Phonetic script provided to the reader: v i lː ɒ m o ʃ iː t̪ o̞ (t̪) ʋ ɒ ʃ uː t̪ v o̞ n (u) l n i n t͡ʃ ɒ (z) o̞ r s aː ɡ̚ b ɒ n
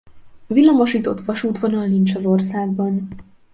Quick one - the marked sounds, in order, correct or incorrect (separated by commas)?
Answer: correct, incorrect, correct